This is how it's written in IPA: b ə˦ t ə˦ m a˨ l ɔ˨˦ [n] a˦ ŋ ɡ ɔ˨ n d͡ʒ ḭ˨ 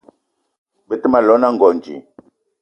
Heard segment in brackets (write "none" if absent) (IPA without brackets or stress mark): n